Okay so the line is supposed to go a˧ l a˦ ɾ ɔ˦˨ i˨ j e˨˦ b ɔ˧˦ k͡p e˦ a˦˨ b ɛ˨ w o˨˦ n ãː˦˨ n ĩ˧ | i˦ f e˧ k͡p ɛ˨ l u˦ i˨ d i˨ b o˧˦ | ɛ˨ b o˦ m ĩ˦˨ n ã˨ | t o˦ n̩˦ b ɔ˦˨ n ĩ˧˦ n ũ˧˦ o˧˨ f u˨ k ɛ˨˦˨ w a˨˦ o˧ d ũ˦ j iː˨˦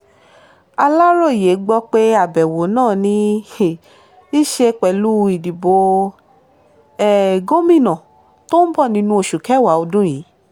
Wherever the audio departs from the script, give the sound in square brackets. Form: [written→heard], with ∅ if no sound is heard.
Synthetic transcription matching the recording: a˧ l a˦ ɾ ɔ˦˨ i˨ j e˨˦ [b→ɡ͡b] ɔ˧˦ k͡p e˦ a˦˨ b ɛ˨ w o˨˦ n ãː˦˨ n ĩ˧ | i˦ [f→ʃ] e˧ k͡p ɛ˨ l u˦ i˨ d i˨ b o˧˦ | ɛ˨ [b→ɡ] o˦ m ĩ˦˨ n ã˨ | t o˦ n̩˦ b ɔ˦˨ n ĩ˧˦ n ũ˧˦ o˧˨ [f→ʃ] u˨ k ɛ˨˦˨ w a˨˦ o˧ d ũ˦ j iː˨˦